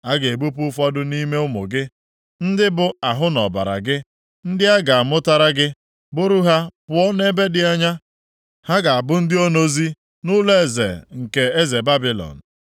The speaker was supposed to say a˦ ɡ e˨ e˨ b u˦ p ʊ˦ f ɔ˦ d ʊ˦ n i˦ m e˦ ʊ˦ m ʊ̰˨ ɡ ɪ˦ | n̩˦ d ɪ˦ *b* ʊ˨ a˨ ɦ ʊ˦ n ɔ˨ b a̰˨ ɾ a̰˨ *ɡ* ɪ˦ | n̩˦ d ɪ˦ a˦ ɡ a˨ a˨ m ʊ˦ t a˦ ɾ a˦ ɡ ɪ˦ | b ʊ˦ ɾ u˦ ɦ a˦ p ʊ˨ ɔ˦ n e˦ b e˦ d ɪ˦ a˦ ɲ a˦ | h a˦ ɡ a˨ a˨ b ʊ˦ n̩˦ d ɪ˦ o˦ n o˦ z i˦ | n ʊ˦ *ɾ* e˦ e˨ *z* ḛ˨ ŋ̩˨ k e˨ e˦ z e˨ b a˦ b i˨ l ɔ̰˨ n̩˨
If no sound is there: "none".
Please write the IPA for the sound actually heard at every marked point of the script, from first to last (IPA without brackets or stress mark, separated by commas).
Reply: b, ɡ, l, z